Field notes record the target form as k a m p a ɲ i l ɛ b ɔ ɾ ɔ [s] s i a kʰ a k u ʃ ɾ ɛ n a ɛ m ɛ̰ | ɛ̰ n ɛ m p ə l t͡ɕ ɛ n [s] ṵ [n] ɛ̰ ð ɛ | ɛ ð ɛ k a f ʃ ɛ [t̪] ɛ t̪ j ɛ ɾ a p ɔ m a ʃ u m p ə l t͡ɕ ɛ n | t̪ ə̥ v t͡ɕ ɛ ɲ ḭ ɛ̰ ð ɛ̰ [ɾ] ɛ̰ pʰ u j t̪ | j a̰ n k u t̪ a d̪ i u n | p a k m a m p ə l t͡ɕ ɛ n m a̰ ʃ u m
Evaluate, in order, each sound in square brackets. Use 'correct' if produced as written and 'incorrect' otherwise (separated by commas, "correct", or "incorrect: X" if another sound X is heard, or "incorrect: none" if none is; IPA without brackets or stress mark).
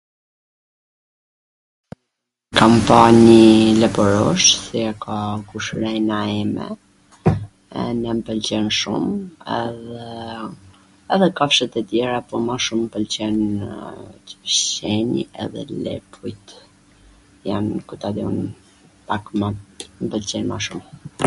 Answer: incorrect: ʃ, incorrect: ʃ, incorrect: m, correct, incorrect: l